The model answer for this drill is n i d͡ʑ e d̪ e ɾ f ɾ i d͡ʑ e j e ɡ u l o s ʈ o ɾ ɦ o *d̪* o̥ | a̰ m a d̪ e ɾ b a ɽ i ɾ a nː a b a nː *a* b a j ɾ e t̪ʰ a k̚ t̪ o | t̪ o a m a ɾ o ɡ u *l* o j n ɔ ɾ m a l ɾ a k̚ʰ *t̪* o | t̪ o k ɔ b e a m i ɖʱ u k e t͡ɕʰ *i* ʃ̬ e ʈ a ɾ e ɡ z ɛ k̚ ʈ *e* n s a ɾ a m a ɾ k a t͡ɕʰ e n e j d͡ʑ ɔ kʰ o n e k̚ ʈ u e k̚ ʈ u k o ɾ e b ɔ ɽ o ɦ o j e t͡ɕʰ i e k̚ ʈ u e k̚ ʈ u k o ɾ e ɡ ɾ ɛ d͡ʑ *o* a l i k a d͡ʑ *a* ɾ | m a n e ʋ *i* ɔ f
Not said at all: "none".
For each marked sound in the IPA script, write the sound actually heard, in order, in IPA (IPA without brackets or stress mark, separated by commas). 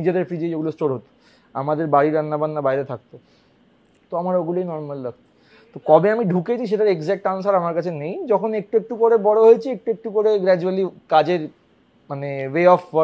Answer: t̪, a, l, t̪, i, a, u, e, e